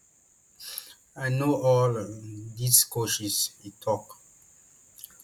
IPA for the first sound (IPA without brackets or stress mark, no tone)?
a